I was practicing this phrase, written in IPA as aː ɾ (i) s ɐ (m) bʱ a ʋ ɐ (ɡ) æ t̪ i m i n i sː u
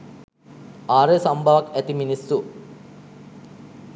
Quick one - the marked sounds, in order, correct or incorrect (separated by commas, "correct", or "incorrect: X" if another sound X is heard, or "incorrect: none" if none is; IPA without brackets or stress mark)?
incorrect: e, correct, incorrect: k